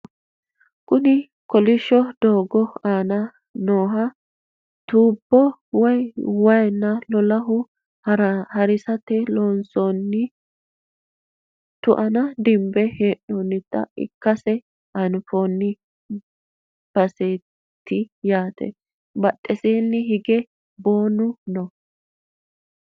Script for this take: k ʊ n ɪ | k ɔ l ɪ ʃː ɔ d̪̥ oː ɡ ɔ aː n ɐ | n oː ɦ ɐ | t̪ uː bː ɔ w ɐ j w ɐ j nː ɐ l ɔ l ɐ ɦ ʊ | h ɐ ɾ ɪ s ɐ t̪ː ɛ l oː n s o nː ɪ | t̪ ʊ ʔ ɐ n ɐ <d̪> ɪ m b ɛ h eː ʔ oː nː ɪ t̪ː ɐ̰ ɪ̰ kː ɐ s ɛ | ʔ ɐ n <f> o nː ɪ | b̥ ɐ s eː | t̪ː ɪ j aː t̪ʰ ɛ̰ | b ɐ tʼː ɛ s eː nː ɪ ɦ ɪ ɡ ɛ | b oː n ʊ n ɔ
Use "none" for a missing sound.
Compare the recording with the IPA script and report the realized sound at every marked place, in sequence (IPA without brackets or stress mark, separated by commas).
d̪, f